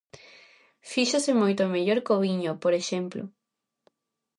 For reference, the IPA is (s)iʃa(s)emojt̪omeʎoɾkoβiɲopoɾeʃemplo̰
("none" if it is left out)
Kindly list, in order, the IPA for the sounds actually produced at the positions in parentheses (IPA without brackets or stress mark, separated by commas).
f, s